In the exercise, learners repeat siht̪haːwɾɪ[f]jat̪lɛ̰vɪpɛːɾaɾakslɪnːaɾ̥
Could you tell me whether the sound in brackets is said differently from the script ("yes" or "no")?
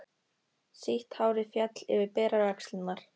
no